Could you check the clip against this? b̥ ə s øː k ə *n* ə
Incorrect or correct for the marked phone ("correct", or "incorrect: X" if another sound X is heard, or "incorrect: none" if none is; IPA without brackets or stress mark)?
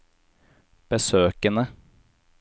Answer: correct